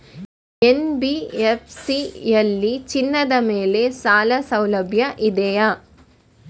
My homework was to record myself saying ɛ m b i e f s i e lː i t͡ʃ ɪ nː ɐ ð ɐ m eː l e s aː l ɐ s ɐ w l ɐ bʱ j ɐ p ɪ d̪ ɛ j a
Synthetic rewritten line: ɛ n b i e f s i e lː i t͡ʃ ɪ nː ɐ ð ɐ m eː l e s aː l ɐ s ɐ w l ɐ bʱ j ɐ ʔ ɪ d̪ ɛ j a